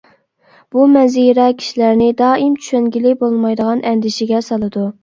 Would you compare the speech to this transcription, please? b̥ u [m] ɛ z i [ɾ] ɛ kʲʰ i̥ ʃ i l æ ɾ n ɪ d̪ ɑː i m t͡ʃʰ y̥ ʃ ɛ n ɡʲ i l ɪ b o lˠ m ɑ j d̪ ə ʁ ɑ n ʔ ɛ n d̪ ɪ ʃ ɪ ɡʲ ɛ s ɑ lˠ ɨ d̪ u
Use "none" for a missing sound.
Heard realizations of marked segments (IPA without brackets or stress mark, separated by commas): m, ɾ